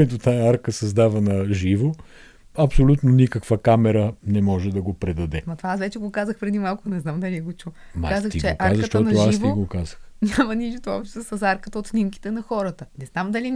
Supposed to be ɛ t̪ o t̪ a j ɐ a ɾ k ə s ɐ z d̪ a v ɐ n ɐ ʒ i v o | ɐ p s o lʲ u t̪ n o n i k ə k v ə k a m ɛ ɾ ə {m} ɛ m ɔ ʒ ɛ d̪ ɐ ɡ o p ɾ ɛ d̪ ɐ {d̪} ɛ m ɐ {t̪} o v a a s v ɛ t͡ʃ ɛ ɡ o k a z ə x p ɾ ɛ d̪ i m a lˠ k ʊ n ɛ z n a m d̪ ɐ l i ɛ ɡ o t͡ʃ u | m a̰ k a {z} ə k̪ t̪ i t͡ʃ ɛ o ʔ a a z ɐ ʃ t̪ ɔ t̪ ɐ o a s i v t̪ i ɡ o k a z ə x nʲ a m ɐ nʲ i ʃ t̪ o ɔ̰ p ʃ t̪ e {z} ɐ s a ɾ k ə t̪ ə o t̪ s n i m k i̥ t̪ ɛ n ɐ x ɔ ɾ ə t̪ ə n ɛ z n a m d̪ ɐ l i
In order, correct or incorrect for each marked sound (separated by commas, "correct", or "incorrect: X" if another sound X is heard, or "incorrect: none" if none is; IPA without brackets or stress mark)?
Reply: incorrect: n, correct, correct, correct, incorrect: s